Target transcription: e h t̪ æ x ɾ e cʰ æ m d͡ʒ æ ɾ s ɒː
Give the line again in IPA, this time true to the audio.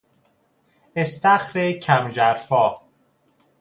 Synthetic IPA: e s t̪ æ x ɾ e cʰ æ m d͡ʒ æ ɾ f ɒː